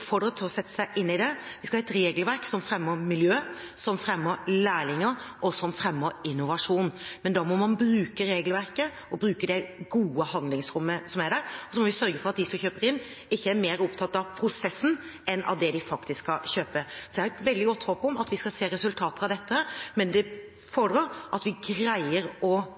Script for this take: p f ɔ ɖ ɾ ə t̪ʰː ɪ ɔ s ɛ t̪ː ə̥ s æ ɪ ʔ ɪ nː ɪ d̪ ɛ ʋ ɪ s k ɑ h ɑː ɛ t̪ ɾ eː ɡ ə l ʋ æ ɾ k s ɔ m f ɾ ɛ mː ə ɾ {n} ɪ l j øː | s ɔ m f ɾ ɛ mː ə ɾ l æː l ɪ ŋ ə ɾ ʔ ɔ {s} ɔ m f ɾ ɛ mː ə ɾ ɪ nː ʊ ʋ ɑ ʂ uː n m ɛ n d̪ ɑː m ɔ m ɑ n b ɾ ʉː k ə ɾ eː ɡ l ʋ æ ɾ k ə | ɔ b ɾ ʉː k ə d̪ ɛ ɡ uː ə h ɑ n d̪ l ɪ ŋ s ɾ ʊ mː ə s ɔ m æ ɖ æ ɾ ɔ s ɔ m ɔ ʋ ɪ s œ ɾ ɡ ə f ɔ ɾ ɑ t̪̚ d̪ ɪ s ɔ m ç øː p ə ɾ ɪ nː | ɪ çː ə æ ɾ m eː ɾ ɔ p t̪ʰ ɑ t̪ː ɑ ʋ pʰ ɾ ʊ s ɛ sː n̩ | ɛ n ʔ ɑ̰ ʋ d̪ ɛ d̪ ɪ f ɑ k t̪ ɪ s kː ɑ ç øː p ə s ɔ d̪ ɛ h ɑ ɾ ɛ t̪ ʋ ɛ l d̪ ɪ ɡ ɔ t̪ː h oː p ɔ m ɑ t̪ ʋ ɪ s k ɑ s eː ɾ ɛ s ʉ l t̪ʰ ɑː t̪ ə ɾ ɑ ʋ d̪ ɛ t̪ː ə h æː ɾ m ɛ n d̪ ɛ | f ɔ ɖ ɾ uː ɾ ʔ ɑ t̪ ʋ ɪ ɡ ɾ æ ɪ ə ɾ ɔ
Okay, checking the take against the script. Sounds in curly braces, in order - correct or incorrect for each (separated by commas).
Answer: incorrect, correct